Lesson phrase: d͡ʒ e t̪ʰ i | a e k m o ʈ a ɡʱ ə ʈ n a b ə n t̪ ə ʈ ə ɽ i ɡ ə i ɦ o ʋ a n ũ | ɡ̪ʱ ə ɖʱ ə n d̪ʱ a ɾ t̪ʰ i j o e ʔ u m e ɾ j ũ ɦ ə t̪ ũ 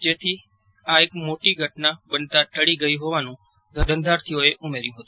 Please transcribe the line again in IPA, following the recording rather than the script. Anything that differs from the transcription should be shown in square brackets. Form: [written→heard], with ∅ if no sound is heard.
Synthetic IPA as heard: d͡ʒ e t̪ʰ i | a e k m o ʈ [a→i] ɡʱ ə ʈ n a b ə n t̪ [ə→a] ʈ ə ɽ i ɡ ə i ɦ o ʋ a n ũ | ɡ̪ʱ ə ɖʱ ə n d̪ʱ a ɾ t̪ʰ i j o e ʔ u m e ɾ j ũ ɦ ə t̪ ũ